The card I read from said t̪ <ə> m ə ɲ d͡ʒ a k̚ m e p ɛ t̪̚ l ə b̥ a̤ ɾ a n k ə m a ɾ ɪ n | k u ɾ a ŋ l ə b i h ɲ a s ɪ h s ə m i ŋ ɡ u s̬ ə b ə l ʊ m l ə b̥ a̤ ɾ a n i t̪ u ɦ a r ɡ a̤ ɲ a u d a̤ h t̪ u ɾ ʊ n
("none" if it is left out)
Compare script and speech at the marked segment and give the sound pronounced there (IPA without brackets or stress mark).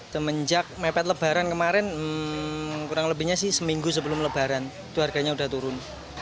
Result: ə